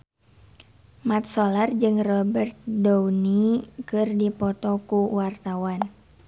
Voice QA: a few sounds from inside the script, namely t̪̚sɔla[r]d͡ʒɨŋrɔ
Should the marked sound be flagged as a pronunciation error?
no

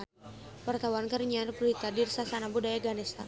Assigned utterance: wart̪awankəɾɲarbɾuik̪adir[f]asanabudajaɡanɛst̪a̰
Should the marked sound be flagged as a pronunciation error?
yes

